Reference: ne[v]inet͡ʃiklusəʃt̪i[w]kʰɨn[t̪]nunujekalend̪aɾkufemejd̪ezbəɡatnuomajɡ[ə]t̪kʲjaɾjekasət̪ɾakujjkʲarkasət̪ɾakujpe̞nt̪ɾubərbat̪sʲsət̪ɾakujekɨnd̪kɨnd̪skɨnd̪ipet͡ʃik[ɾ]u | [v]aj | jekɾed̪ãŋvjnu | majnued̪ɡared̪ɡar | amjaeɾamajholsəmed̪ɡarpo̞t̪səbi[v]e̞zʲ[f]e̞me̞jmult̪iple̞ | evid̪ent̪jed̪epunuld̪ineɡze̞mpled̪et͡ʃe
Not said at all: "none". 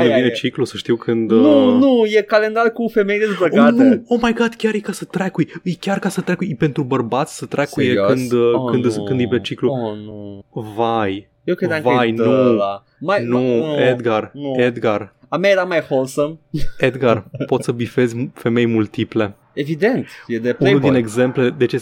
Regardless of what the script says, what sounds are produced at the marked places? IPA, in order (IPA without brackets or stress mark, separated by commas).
v, w, d̪, a, l, v, f, f